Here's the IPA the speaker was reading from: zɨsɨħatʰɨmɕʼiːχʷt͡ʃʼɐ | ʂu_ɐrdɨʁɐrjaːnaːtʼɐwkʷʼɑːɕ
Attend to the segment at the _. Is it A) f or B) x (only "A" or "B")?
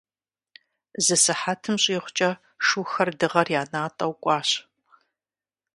B